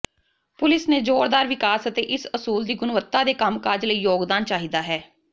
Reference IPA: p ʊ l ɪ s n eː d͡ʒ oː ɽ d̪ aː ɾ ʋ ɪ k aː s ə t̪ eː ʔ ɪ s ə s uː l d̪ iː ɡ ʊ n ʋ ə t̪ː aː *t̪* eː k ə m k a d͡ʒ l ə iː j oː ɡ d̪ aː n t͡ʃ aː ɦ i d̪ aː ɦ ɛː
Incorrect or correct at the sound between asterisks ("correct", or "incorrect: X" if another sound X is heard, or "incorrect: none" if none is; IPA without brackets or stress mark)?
incorrect: d̪